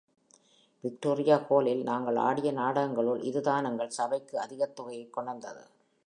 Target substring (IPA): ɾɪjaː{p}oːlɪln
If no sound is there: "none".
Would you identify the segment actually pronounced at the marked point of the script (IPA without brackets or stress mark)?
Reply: k